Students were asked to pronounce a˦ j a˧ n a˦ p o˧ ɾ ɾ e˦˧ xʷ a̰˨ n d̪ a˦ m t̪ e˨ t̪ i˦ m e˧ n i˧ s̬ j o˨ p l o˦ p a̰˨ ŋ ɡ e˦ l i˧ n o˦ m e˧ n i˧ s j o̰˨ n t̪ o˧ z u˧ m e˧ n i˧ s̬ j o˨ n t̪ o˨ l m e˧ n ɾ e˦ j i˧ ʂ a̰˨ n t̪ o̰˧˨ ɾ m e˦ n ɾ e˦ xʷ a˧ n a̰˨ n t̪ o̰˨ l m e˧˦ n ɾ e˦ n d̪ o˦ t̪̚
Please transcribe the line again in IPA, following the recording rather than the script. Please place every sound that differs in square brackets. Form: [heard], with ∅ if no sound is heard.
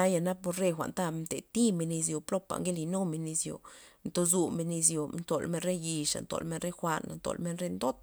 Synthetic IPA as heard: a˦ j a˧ n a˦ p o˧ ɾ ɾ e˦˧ xʷ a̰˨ n [t̪] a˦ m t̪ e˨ t̪ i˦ m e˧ n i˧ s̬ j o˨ p l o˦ p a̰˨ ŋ ɡ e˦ l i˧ n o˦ m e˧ n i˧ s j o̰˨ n t̪ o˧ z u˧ m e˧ n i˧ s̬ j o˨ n t̪ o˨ l m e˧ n ɾ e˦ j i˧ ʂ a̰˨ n t̪ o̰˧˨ [l] m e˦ n ɾ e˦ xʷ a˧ n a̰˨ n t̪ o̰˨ l m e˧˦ n ɾ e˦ n d̪ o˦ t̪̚